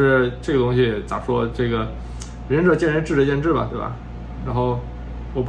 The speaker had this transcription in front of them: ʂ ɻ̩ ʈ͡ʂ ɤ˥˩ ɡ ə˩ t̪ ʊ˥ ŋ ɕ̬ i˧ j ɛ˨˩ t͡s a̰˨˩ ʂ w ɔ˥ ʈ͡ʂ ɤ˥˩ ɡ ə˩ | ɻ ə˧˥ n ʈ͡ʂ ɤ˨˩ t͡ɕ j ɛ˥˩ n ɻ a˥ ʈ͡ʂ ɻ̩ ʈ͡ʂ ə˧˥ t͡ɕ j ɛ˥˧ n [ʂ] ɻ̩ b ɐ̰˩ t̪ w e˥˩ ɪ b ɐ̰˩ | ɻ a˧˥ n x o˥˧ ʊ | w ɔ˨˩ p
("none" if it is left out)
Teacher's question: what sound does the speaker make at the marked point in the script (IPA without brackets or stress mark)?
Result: ʈ͡ʂ